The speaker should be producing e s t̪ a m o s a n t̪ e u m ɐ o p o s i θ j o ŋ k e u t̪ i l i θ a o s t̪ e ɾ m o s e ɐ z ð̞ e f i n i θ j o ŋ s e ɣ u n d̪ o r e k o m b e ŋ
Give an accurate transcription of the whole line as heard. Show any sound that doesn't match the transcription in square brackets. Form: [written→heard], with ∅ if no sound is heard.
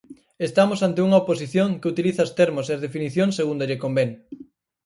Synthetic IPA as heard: e s t̪ a m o s a n t̪ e u [m→ŋ] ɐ o p o s i θ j o ŋ k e u t̪ i l i θ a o s t̪ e ɾ m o s e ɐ z ð̞ e f i n i θ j o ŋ s e ɣ u n d̪ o [r→ʎ] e k o m b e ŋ